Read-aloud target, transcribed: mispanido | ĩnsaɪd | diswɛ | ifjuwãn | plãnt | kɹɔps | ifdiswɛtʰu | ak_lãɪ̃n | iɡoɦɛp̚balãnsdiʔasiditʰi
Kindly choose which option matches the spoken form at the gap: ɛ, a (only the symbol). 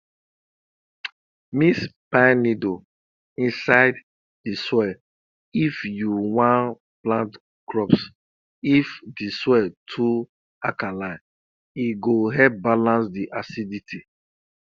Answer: a